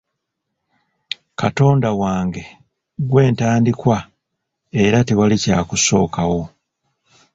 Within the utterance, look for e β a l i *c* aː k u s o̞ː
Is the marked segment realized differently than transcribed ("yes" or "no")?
no